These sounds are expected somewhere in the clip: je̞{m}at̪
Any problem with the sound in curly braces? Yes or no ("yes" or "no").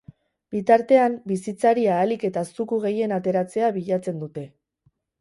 yes